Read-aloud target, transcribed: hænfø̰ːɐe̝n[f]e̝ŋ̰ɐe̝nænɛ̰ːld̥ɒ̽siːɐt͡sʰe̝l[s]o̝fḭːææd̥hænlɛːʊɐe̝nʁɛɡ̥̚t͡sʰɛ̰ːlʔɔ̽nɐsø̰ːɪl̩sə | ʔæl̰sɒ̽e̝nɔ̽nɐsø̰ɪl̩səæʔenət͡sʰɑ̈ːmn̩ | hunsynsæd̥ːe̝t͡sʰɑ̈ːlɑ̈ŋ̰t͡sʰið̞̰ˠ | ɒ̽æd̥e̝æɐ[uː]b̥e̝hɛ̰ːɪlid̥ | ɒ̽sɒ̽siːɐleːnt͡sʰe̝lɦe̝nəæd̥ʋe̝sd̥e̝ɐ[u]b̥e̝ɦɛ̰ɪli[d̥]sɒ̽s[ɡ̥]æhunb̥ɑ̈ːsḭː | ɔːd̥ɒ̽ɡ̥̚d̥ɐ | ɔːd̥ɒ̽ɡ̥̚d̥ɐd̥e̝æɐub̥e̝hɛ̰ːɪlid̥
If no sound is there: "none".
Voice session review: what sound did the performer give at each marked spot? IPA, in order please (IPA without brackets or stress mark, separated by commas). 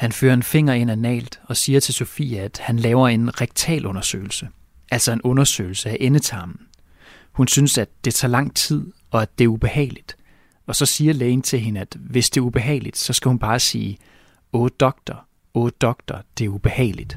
f, s, u, u, d̥, ɡ̥